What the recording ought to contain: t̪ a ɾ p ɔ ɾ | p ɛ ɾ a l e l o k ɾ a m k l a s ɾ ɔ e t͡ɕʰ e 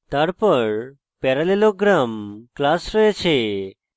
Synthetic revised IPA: t̪ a ɾ p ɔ ɾ | p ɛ ɾ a l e l o ɡ ɾ a m k l a s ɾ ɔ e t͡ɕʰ e